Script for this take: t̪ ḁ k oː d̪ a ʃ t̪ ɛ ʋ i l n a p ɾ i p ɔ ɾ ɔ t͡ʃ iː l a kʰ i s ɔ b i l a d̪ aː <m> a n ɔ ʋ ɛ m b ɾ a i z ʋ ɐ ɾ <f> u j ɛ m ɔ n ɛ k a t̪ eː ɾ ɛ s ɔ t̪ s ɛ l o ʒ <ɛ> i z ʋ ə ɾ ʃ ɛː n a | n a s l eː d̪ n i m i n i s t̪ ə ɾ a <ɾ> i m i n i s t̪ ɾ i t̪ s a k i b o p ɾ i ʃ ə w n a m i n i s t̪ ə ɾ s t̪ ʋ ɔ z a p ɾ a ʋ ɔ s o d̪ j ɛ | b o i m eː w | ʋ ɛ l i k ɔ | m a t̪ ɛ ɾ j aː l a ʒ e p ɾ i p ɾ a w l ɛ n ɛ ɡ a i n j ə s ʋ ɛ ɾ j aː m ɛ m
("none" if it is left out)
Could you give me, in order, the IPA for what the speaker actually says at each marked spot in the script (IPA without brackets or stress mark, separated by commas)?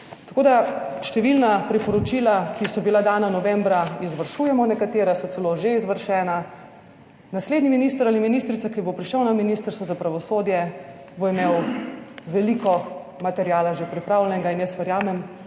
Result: n, ʃ, e, l